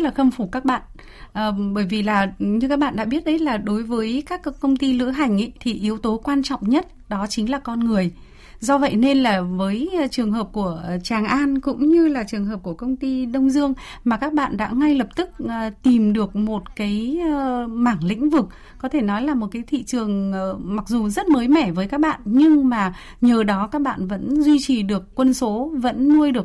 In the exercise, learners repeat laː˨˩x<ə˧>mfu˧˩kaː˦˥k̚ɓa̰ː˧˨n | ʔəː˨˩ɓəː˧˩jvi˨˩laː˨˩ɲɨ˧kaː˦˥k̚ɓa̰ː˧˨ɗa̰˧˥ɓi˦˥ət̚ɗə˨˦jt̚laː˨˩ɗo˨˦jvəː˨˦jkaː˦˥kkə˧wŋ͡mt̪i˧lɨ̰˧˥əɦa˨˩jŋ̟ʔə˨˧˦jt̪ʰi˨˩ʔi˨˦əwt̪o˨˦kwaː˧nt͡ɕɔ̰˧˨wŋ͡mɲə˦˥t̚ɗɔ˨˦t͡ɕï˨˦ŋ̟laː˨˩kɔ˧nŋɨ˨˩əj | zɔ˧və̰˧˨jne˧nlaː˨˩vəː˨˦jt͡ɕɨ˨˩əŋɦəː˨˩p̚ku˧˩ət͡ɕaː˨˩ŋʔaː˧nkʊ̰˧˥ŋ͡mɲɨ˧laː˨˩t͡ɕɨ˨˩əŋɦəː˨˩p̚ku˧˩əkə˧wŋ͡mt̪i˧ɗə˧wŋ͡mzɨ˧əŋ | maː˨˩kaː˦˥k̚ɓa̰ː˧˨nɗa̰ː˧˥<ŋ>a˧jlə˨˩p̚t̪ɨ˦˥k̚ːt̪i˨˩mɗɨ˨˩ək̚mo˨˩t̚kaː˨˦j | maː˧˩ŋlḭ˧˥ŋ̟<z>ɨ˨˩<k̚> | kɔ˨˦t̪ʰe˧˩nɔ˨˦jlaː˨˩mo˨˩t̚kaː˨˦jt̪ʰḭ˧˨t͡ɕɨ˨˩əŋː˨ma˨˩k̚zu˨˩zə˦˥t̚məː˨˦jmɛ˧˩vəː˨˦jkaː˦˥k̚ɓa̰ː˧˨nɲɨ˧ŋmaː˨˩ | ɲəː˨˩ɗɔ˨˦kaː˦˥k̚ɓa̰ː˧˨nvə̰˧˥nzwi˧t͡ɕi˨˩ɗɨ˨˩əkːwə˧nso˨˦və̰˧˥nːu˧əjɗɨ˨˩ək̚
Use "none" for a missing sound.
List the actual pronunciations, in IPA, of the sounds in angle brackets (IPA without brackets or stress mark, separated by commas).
ə˧, ŋ, v, k̚